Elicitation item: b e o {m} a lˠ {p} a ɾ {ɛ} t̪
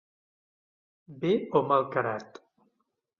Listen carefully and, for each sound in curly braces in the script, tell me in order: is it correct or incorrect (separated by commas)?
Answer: correct, incorrect, incorrect